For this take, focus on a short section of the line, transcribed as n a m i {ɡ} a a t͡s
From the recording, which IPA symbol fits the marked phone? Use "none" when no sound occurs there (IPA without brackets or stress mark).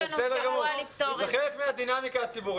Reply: k